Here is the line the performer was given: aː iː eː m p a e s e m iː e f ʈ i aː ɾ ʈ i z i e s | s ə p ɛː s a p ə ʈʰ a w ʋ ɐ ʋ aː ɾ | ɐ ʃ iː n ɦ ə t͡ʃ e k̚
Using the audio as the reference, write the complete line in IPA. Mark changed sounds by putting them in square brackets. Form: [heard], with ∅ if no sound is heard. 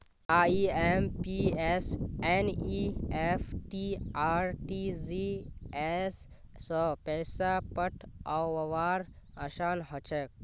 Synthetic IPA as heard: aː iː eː m p [i] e s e [n] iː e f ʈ i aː ɾ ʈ i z i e s | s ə p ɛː s a p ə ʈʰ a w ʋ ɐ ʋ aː ɾ | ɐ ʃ [aː] n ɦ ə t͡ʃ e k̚